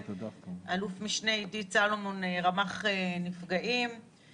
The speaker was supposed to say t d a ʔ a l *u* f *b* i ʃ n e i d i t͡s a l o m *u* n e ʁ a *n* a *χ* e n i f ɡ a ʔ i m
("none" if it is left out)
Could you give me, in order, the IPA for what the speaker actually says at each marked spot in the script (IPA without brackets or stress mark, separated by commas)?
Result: u, m, o, m, χ